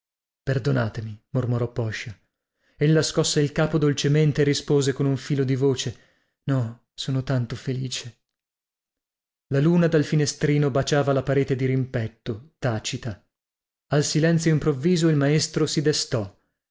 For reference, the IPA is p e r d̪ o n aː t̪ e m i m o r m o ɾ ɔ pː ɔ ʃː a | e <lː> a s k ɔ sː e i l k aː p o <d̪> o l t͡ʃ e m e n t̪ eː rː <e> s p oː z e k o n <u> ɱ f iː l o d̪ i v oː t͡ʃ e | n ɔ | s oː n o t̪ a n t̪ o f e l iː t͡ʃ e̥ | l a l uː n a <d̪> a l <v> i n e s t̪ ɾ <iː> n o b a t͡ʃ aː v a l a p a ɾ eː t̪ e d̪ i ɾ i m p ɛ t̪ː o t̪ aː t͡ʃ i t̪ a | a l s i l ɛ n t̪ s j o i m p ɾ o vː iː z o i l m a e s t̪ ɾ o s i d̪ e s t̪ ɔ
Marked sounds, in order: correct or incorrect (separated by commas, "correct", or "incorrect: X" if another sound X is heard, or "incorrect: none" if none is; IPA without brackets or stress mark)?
correct, correct, incorrect: i, correct, correct, incorrect: f, correct